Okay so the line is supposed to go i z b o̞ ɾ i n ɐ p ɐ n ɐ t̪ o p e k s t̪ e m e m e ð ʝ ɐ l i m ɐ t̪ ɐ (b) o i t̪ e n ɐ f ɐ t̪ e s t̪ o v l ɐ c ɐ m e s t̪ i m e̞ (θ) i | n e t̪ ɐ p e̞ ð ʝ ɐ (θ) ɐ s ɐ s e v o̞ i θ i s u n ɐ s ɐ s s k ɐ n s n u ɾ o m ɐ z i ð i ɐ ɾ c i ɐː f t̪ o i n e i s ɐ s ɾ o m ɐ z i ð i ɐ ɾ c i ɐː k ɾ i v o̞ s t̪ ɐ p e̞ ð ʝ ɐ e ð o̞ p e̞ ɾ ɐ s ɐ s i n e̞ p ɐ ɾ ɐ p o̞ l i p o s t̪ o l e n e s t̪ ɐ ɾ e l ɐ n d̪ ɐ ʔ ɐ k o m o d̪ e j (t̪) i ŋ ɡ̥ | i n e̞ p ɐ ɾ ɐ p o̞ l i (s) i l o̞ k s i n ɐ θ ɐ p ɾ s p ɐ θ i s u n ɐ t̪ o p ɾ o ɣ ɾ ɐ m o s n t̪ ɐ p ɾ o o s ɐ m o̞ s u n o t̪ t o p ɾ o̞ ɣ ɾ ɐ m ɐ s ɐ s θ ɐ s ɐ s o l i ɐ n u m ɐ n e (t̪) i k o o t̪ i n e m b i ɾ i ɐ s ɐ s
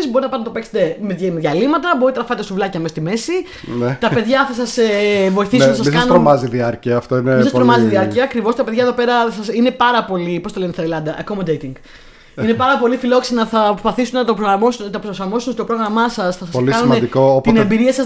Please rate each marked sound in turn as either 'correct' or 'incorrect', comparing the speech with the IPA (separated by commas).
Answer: correct, incorrect, correct, correct, incorrect, incorrect